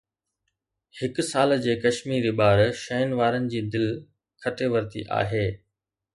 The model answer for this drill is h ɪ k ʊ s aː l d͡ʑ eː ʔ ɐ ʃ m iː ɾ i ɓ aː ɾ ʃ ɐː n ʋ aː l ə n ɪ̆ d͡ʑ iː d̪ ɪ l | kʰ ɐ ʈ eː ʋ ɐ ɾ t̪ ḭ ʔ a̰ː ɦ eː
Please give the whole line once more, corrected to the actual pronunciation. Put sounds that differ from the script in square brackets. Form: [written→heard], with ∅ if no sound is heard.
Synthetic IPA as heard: h ɪ k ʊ s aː l d͡ʑ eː [ʔ→k] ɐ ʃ m iː ɾ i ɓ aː ɾ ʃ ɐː n ʋ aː [l→ɾ] ə n ɪ̆ d͡ʑ iː d̪ ɪ l | kʰ ɐ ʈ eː ʋ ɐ ɾ t̪ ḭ ʔ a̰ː ɦ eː